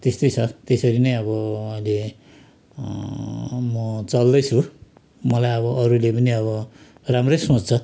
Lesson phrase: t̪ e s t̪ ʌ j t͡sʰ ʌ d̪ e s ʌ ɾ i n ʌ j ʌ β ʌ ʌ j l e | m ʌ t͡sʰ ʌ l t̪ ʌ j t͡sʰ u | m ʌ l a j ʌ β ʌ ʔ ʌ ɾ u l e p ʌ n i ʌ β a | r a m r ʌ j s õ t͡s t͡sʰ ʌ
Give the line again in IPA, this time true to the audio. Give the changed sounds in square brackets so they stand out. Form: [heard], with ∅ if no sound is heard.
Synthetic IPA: t̪ e s t̪ ʌ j t͡sʰ ʌ [t̪] e s ʌ ɾ i n ʌ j ʌ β ʌ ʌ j l e | m ʌ [t͡s] ʌ l [d̪] ʌ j t͡sʰ u | m ʌ l a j ʌ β ʌ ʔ ʌ ɾ u l e p ʌ n i ʌ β [ʌ] | r a m r ʌ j s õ t͡s t͡sʰ ʌ